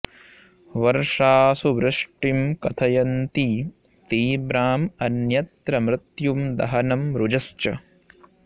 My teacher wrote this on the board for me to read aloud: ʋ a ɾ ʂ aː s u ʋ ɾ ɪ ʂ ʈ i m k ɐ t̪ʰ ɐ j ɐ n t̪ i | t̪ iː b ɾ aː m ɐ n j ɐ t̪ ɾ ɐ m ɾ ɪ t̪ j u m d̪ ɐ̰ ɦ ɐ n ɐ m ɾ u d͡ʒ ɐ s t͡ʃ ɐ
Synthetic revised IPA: ʋ ɐ ɾ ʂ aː s u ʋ ɾ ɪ ʂ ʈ i m k ɐ t̪ʰ ɐ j ɐ n t̪ i | t̪ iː b ɾ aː m ɐ n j ɐ t̪ ɾ ɐ m ɾ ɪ t̪ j u m d̪ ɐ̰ ɦ ɐ n ɐ m ɾ u d͡ʒ ɐ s t͡ʃ ɐ